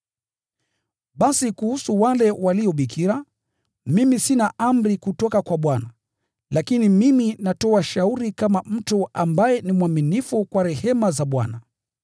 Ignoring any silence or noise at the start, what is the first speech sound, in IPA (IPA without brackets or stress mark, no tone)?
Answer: ɓ